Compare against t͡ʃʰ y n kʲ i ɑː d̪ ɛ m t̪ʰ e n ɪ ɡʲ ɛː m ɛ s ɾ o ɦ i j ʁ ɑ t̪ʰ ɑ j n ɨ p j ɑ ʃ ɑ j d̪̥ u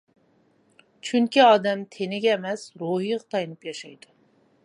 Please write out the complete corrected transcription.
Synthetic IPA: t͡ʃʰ y ŋ kʲ i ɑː d̪ ɛ m t̪ʰ e n ɪ ɡʲ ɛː m ɛ s ɾ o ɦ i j ʁ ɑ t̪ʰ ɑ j n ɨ p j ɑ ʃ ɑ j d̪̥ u